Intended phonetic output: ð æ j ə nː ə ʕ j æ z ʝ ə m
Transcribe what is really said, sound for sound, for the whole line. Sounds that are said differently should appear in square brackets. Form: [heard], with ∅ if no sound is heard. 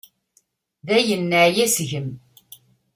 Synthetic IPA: ð æ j ə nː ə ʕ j æ [s] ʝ ə m